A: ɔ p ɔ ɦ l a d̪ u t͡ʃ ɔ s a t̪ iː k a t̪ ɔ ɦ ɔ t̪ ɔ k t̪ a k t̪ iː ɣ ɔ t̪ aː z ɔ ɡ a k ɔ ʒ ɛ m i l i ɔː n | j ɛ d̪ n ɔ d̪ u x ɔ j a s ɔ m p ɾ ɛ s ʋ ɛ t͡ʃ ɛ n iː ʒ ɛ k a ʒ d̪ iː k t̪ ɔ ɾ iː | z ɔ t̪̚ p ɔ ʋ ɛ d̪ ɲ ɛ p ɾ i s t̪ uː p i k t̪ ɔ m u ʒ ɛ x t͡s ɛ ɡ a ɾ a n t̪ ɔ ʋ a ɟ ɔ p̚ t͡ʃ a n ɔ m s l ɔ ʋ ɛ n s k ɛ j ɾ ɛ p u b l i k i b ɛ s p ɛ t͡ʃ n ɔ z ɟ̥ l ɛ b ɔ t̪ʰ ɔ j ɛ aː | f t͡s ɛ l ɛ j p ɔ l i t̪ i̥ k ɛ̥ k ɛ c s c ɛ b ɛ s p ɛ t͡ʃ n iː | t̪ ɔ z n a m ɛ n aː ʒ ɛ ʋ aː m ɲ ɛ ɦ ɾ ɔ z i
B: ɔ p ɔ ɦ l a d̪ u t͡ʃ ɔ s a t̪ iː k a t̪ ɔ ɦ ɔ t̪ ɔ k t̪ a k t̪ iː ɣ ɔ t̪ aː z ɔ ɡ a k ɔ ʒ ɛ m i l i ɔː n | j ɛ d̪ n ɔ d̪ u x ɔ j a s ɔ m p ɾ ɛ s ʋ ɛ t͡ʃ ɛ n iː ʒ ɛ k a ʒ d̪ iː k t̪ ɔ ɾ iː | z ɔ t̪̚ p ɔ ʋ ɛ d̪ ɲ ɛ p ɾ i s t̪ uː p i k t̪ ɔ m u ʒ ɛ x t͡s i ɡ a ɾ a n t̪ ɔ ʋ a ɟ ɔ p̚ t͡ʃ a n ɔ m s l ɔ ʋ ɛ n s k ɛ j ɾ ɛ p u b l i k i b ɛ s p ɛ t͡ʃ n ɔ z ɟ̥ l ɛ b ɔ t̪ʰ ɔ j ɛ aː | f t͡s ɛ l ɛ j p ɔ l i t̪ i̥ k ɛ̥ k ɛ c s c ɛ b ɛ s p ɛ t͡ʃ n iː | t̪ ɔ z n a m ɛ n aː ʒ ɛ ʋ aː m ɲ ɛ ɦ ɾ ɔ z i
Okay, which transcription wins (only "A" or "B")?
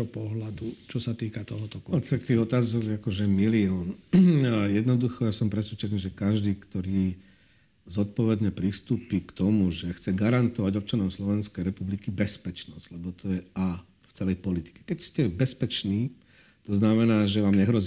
A